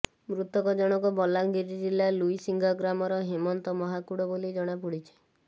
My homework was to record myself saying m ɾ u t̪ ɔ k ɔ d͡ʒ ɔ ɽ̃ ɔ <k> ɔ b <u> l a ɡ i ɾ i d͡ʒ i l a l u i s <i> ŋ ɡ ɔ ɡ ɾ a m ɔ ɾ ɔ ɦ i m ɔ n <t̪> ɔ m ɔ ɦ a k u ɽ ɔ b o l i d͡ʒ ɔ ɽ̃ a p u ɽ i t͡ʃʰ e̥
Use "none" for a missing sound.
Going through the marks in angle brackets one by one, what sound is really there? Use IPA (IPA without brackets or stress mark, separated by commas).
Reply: k, ɔ, i, t̪